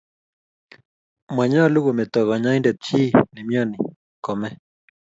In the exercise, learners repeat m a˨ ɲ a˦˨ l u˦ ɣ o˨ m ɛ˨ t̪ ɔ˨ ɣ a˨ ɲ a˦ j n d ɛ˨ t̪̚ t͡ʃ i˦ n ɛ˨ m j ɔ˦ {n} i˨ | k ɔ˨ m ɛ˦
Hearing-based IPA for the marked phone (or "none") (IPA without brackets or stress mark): n